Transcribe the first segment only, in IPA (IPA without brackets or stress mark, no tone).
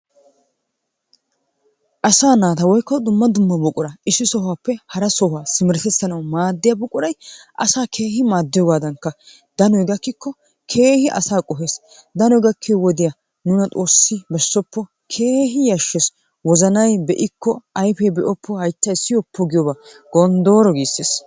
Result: ʔ